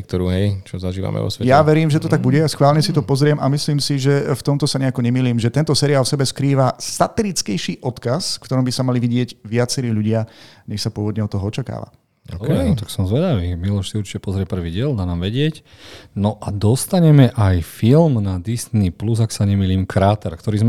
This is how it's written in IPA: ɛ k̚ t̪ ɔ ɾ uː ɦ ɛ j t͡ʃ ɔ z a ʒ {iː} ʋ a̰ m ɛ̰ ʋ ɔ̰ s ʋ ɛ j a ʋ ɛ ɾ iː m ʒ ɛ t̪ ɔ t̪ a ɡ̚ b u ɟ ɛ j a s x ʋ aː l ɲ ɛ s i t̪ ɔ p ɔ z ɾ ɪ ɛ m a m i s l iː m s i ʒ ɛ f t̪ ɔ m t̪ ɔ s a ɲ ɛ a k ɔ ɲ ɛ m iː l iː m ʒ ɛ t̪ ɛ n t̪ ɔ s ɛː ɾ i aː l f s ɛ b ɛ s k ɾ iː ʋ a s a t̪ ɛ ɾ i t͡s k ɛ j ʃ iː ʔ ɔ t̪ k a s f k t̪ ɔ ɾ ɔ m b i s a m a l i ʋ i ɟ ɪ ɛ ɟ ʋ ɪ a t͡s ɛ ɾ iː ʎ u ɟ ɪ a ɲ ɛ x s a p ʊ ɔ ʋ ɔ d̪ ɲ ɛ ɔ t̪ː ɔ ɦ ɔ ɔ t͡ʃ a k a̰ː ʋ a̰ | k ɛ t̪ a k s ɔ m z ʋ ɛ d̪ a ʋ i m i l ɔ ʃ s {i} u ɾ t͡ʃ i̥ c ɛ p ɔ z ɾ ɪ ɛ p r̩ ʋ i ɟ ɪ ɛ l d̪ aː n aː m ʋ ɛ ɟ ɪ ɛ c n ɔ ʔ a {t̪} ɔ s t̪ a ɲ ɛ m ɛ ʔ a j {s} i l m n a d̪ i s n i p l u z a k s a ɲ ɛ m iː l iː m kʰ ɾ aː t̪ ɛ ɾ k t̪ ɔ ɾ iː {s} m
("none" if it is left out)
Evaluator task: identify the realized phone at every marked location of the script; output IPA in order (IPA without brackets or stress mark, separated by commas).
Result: iː, i, d̪, f, z